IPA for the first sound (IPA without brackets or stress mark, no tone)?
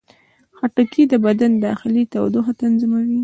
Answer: x